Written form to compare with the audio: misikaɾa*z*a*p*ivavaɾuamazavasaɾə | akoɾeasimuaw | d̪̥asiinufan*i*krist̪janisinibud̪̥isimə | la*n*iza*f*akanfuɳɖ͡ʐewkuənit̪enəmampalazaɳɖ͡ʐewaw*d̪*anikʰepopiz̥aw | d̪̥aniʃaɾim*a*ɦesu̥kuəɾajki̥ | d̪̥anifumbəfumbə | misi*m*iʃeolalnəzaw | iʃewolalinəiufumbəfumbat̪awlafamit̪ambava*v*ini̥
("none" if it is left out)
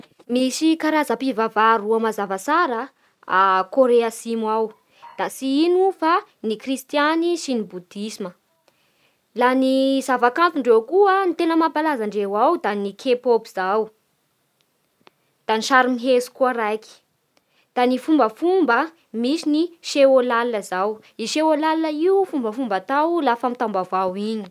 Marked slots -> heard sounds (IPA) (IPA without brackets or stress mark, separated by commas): z, p, i, n, v, d̪, i, n, w